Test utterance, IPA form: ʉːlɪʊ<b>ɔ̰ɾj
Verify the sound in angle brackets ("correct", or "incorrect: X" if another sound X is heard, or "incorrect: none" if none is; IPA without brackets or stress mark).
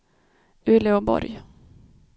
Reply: correct